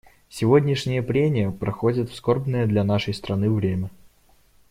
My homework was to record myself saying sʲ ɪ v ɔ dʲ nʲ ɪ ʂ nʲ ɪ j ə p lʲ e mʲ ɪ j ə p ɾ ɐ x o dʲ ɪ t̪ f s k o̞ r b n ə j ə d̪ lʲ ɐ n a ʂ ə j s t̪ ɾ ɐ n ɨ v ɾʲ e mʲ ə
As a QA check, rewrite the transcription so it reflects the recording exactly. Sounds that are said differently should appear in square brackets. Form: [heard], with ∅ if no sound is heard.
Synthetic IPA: sʲ ɪ v [o] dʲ nʲ ɪ ʂ nʲ ɪ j ə p [ɾʲ] e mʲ ɪ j ə p ɾ ɐ x o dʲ ɪ t̪ f s k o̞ r b n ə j ə d̪ lʲ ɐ n a ʂ ə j s t̪ ɾ ɐ n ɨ v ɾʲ e mʲ ə